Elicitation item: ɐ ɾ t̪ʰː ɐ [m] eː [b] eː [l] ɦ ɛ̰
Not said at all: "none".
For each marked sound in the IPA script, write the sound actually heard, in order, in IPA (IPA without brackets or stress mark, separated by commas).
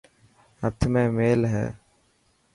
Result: m, m, l